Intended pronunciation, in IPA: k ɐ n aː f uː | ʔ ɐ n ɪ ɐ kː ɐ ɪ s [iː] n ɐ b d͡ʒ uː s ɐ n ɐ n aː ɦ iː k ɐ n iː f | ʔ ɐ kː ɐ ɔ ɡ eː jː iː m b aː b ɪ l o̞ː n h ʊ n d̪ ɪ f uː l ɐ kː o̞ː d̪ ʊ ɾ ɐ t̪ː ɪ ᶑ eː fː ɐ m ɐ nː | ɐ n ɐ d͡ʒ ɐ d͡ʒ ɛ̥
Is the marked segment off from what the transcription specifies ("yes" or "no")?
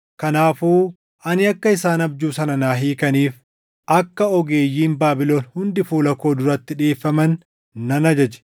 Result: yes